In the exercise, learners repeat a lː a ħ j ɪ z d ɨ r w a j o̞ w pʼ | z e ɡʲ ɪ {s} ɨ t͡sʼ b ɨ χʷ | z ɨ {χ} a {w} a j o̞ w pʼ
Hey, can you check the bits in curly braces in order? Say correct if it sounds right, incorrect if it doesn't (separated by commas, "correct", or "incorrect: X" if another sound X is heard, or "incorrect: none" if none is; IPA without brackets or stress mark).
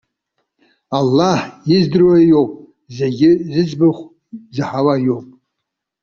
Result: incorrect: z, incorrect: ħ, correct